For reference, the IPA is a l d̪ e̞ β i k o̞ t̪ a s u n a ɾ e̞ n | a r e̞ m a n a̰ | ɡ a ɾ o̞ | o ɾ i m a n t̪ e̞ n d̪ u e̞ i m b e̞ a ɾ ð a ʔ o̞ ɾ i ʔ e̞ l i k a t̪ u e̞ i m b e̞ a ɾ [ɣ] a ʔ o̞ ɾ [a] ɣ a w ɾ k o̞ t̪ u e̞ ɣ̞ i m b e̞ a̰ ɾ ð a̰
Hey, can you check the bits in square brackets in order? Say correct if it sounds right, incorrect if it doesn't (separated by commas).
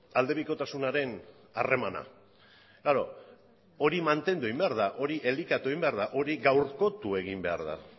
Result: incorrect, incorrect